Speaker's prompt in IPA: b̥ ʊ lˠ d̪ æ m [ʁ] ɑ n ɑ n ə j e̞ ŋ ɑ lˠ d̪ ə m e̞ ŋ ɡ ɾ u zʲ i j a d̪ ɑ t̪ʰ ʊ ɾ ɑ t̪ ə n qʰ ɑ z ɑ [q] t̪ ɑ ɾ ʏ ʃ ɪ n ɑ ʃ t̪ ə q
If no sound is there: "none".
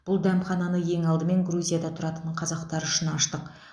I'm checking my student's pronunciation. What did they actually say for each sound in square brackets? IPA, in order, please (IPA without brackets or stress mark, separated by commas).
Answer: χ, q